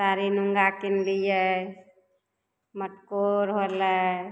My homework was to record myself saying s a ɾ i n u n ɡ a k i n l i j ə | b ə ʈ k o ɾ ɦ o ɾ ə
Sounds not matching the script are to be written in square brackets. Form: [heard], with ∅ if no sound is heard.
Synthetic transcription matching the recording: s a ɾ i n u [ŋ] ɡ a k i n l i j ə | [m] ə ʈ k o ɾ ɦ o [l] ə